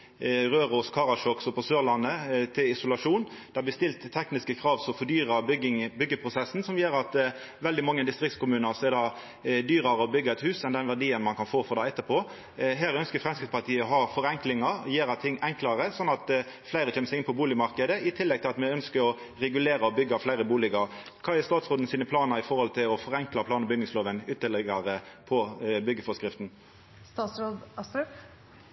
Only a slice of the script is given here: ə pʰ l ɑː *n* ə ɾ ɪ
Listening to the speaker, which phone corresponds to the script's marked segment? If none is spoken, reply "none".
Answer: n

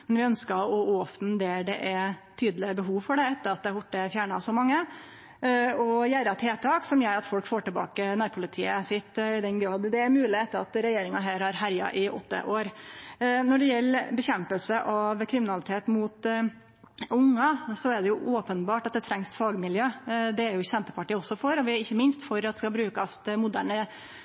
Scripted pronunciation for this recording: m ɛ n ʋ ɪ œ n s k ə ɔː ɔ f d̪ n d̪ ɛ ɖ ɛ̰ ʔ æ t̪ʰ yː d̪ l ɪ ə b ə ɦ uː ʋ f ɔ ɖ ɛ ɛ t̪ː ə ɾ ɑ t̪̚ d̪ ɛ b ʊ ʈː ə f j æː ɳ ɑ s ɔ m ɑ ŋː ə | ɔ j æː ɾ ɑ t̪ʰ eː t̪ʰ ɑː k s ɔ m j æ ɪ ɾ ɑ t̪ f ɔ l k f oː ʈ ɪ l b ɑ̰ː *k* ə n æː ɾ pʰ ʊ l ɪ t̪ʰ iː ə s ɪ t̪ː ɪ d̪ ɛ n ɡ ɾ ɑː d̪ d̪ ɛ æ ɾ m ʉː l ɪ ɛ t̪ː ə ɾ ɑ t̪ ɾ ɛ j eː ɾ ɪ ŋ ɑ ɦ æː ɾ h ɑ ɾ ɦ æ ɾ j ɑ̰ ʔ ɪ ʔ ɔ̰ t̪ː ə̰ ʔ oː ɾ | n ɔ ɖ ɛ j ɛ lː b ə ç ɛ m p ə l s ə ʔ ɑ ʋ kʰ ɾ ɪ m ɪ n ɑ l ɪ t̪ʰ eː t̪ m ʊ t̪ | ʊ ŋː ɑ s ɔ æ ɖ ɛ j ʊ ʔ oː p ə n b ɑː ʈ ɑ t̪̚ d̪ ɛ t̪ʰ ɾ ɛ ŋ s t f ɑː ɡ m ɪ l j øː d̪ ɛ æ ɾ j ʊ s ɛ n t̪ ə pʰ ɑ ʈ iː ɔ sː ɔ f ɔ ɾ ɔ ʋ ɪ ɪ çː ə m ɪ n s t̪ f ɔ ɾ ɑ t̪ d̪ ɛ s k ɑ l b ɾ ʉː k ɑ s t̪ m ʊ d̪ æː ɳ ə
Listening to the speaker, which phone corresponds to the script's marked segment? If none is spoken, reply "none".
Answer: k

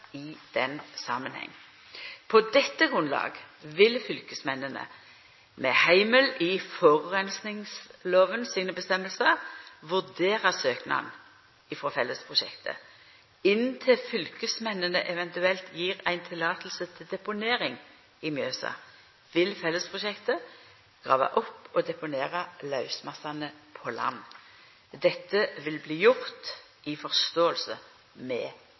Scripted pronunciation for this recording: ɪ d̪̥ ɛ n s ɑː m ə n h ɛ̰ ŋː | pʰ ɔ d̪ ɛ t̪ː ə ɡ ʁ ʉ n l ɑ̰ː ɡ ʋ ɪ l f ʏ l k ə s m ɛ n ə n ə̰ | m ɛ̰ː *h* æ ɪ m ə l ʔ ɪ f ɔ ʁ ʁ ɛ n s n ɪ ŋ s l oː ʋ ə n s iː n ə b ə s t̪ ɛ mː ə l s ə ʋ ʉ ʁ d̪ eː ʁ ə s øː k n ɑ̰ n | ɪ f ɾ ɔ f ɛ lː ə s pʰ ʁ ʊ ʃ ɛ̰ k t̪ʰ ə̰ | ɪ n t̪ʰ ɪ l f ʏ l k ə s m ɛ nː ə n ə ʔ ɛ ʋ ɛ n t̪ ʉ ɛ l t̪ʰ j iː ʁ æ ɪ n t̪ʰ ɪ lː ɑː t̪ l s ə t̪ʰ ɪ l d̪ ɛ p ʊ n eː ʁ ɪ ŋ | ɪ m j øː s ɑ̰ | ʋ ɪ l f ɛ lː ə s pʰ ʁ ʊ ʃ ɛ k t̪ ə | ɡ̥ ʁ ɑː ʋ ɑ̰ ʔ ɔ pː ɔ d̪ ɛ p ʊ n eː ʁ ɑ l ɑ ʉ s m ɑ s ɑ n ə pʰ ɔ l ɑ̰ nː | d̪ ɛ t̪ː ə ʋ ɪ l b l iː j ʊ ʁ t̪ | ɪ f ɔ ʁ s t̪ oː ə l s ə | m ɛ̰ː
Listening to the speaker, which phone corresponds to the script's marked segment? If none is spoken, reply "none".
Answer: h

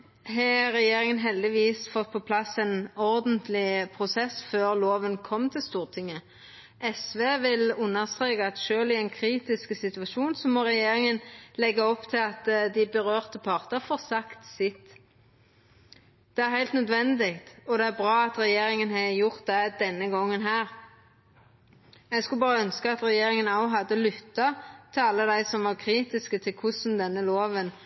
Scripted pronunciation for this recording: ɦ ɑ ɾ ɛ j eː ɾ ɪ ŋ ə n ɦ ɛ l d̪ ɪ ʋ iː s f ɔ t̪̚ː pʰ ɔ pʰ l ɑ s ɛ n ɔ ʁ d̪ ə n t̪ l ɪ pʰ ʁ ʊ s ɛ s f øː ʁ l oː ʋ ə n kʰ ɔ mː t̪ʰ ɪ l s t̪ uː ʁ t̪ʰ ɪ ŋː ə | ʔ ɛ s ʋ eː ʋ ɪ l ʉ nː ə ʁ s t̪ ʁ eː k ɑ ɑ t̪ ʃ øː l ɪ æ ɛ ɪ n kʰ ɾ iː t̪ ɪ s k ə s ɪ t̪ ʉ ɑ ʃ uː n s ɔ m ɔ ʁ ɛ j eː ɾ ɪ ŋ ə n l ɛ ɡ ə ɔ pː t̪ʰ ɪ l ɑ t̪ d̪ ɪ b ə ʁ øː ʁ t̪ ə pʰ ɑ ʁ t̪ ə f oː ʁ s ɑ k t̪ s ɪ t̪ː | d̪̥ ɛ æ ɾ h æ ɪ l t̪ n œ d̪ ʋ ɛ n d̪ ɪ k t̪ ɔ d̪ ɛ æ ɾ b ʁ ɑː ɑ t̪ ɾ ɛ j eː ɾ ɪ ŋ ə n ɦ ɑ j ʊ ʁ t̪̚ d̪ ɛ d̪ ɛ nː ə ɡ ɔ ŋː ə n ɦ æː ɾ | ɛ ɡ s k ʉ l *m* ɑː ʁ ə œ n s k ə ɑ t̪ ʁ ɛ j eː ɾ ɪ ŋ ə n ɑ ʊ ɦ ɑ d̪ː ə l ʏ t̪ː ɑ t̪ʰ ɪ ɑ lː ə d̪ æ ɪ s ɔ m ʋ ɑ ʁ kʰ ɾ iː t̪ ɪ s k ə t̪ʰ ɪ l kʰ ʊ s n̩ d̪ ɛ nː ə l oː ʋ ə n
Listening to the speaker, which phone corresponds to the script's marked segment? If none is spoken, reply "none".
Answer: b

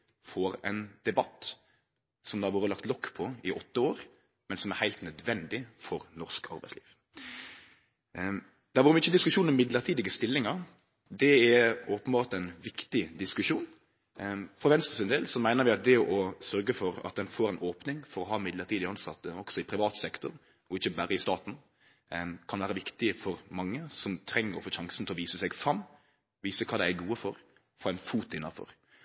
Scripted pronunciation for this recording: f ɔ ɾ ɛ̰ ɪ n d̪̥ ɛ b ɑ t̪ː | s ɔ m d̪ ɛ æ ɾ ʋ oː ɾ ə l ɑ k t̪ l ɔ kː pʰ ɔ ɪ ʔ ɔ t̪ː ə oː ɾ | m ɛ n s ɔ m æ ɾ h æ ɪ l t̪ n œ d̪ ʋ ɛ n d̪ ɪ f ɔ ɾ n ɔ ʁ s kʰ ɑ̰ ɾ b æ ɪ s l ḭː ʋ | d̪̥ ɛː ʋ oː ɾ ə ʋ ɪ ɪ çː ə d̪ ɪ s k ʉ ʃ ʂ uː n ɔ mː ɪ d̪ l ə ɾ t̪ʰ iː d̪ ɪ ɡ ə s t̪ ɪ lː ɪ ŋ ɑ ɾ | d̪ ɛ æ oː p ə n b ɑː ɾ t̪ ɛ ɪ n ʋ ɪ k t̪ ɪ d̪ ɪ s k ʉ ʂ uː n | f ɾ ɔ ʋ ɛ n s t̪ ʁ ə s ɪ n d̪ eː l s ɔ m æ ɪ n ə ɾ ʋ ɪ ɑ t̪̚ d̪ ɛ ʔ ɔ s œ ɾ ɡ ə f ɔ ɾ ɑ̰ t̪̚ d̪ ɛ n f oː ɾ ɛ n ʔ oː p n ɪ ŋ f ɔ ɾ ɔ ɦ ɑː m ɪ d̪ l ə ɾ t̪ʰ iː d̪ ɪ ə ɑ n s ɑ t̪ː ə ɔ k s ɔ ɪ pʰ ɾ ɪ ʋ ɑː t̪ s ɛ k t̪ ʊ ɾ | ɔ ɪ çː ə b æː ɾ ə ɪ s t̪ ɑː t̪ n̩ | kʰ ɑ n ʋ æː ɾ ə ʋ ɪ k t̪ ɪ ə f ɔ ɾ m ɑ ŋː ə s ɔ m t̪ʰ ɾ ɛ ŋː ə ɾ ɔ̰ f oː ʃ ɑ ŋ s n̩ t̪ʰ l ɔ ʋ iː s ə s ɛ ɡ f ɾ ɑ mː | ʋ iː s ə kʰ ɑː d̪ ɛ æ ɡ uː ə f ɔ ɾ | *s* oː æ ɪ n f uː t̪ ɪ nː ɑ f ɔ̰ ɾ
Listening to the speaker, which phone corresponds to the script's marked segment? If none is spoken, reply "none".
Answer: f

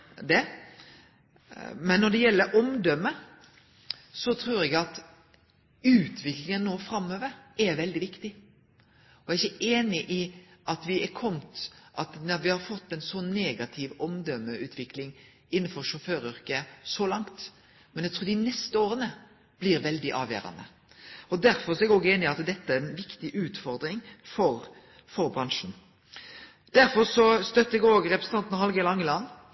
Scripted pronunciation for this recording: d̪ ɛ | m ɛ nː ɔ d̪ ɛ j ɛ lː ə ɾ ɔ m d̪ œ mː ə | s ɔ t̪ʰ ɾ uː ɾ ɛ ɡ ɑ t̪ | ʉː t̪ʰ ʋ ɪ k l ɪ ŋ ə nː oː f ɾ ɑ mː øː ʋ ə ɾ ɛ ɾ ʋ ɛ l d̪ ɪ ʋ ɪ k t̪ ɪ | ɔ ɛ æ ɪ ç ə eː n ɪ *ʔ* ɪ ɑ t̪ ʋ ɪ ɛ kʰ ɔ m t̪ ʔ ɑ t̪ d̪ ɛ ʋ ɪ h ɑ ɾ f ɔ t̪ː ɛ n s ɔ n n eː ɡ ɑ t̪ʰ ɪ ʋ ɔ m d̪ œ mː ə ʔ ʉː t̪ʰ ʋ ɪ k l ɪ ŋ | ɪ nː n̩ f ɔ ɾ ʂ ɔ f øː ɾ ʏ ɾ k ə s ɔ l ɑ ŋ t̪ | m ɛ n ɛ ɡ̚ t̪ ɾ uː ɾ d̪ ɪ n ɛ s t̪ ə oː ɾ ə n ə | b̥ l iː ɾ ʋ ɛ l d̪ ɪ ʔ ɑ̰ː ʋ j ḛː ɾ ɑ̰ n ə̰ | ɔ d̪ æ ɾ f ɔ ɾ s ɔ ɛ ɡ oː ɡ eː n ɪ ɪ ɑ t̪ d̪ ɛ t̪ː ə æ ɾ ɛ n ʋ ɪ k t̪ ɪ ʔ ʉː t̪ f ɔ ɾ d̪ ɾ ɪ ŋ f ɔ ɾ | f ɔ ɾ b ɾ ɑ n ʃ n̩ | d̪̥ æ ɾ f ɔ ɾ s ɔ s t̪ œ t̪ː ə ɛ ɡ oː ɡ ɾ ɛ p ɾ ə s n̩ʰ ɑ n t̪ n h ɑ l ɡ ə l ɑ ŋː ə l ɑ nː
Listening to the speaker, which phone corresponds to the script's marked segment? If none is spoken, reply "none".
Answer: ʔ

